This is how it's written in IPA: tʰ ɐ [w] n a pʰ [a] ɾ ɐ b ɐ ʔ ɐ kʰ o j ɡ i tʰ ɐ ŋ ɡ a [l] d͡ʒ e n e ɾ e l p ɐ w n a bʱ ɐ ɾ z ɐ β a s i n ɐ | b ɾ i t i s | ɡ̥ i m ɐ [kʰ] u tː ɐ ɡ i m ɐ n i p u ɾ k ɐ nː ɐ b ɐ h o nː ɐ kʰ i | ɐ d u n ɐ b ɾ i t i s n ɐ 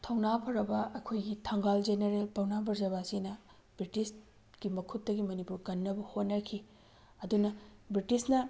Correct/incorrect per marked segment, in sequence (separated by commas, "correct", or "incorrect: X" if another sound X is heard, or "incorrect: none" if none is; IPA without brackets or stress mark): correct, incorrect: ɐ, correct, correct